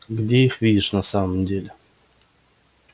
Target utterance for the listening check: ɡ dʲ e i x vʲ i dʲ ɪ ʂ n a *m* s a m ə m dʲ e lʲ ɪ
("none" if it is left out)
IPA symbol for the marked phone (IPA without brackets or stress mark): none